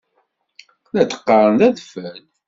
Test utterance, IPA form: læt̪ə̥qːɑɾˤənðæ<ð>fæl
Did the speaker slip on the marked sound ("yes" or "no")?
no